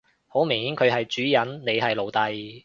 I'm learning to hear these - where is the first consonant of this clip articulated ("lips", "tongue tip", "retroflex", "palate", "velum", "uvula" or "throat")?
throat